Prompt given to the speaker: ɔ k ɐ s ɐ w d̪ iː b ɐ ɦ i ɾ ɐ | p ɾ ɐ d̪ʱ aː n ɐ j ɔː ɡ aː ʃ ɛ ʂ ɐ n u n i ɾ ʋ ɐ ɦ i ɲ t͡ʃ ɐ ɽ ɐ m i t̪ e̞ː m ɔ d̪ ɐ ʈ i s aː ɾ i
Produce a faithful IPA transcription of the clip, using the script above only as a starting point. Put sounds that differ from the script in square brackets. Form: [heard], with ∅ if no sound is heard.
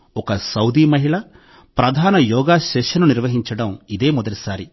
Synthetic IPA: ɔ k ɐ s ɐ w d̪ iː [m] ɐ ɦ i [ɭ] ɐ | p ɾ ɐ d̪ʱ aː n ɐ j ɔː ɡ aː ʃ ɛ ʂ ɐ n u n i ɾ ʋ ɐ ɦ i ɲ t͡ʃ ɐ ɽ ɐ m i [d̪] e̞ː m ɔ d̪ ɐ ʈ i s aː ɾ i